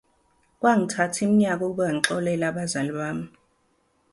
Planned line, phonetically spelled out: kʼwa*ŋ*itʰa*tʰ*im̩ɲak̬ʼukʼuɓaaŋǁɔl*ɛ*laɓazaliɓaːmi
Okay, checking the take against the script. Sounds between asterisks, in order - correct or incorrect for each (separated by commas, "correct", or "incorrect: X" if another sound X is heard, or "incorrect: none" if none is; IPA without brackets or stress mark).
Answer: correct, correct, correct